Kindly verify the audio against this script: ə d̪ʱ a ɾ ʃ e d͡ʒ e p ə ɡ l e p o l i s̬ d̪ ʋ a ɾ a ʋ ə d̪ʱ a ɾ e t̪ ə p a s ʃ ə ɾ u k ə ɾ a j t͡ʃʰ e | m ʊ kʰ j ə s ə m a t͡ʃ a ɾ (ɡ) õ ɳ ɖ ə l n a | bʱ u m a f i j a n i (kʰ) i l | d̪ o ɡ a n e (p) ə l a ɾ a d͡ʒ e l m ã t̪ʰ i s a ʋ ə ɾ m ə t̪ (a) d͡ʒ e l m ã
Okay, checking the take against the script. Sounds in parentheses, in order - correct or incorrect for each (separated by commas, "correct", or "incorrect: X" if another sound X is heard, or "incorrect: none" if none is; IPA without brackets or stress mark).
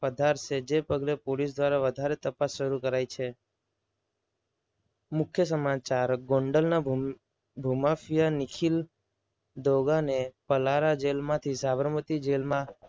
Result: correct, correct, correct, incorrect: i